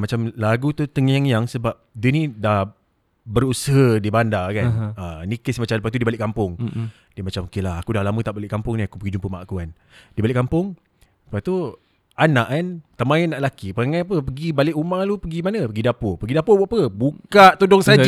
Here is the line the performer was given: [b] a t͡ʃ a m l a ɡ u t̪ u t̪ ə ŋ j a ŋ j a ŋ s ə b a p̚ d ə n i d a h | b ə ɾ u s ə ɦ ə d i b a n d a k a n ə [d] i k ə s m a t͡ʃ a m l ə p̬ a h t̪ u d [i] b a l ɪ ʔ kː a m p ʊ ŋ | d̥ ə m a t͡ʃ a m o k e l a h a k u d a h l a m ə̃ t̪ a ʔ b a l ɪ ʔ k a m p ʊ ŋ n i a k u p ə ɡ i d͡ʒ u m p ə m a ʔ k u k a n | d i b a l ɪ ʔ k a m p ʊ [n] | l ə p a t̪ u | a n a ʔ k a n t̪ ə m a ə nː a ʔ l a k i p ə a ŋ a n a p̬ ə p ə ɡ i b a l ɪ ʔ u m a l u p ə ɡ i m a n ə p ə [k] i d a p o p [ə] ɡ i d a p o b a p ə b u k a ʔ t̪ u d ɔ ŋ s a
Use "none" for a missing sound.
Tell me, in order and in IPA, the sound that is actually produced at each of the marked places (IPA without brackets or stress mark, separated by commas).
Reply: m, n, i, ŋ, ɡ, ə